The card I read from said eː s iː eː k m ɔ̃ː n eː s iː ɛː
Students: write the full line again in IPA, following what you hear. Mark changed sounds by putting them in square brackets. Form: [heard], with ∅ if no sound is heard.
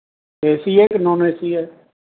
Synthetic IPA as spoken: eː s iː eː k [n] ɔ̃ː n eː s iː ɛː